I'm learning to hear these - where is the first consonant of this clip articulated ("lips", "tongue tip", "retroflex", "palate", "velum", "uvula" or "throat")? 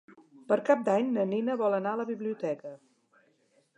lips